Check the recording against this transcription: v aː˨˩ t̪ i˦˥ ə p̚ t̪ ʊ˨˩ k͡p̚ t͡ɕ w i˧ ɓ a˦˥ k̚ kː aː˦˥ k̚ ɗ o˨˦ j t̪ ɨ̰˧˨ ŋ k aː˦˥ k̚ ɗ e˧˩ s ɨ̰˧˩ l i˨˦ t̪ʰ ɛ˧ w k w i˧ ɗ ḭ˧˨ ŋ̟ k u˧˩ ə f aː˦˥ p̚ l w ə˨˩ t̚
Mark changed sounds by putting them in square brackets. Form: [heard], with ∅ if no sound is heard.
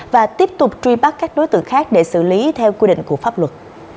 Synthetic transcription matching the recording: v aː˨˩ t̪ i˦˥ ə p̚ t̪ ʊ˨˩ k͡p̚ t͡ɕ w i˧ ɓ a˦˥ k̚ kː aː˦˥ k̚ ɗ o˨˦ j t̪ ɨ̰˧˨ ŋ [x] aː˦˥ k̚ ɗ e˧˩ s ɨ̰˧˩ l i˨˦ t̪ʰ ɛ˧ w k w i˧ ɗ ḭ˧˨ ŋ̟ k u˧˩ ə f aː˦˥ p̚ l w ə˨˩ t̚